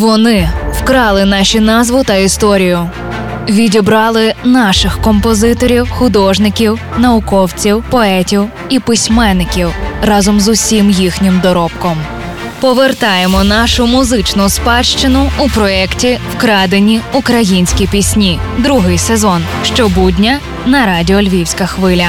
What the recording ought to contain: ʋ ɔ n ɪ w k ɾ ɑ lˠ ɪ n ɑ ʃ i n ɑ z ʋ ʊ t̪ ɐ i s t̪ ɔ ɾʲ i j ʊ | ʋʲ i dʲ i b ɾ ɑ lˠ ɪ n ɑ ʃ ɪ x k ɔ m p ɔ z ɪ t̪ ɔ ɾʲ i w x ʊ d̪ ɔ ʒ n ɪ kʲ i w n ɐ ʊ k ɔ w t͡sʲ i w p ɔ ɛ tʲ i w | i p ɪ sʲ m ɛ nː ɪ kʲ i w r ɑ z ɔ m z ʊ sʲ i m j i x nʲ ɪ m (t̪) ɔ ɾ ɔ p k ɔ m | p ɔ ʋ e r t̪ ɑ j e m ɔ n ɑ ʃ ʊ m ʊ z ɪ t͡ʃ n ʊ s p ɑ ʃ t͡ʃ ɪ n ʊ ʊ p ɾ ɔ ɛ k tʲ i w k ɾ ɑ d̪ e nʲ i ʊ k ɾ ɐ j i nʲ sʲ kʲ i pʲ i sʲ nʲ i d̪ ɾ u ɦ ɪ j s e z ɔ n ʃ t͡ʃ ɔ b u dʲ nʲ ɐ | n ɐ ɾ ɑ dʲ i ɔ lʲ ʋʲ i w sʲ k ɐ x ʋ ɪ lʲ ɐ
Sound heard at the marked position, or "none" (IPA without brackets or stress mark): d̪